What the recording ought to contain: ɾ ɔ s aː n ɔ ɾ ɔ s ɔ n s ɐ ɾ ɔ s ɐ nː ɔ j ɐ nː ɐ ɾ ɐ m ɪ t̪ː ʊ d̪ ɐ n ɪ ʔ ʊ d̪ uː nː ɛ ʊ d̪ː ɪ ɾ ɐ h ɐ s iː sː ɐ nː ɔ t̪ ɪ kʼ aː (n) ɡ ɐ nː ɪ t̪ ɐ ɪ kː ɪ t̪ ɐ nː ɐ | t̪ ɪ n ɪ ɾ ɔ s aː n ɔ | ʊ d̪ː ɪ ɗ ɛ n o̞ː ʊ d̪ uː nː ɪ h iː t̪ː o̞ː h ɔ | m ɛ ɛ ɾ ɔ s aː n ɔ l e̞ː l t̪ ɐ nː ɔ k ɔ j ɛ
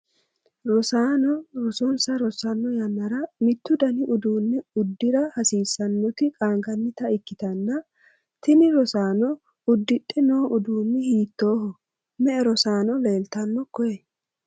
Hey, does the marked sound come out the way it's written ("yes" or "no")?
no